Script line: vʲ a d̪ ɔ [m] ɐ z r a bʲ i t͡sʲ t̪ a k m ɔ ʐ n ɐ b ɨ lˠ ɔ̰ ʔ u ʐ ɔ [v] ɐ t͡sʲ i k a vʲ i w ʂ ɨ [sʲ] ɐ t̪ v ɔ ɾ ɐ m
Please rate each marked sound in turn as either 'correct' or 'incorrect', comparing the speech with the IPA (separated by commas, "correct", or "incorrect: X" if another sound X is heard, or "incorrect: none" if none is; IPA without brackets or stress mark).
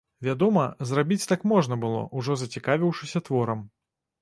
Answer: correct, incorrect: z, correct